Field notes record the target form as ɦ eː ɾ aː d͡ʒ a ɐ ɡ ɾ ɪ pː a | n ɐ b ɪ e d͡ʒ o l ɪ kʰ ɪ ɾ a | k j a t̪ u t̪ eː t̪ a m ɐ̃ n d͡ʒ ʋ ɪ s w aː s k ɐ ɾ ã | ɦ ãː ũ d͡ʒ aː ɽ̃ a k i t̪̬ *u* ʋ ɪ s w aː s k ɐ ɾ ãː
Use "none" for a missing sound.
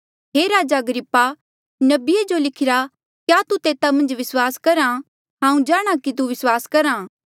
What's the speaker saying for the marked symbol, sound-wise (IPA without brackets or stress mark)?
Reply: u